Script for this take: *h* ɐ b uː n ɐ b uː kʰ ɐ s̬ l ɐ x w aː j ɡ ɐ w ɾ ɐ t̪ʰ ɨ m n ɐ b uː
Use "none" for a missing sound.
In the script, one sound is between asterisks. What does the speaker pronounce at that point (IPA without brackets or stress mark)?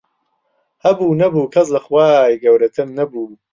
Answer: h